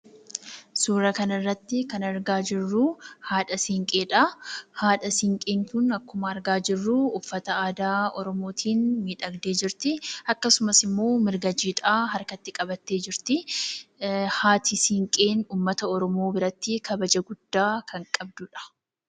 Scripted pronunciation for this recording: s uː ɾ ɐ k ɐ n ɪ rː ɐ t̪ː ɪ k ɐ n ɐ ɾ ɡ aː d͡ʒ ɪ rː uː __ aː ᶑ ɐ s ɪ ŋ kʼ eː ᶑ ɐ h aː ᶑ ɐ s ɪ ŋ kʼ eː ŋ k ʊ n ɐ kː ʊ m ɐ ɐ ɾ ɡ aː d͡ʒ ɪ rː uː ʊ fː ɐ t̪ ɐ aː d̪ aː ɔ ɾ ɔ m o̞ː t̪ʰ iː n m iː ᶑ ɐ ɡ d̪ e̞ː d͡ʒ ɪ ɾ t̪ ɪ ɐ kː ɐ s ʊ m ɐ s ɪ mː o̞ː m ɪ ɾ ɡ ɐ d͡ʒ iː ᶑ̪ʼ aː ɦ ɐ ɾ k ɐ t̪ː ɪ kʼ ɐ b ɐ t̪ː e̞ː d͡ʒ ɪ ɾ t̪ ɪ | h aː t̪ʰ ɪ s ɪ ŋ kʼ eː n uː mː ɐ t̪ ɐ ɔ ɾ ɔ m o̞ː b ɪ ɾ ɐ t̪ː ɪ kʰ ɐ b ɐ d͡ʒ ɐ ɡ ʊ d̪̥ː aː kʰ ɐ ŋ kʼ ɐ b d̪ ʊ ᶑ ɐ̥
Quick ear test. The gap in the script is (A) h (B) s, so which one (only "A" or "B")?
A